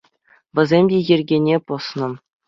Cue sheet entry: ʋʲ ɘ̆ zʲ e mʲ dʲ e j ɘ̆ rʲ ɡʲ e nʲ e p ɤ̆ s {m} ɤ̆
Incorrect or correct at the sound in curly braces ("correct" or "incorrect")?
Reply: incorrect